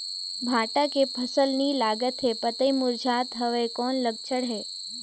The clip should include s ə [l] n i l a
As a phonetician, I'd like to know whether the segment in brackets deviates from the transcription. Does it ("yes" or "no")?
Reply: no